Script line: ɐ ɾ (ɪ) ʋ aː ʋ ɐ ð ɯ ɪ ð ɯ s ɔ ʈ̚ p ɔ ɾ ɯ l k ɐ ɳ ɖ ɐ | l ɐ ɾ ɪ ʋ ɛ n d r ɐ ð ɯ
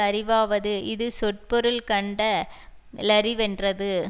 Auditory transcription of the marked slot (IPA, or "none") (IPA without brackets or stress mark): ɪ